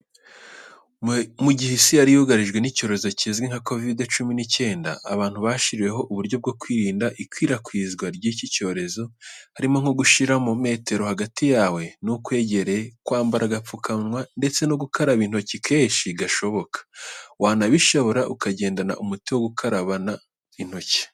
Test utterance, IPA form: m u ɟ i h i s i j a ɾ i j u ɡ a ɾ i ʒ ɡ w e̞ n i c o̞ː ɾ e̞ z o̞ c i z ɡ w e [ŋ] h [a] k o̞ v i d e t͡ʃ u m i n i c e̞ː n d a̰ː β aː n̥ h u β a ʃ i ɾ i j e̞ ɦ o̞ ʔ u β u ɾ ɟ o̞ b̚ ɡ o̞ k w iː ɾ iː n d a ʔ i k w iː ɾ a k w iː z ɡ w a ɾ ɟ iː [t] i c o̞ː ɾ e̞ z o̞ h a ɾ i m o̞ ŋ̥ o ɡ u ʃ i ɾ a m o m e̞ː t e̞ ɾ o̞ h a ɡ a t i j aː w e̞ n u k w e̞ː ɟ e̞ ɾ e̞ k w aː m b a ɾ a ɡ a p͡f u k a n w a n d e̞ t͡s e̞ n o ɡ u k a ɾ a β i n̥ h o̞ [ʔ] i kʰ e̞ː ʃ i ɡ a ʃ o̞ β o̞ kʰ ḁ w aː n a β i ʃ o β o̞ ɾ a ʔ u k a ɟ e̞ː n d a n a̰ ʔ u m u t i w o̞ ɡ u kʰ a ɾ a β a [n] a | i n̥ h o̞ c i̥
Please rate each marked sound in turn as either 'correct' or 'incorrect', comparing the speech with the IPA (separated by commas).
correct, correct, incorrect, incorrect, correct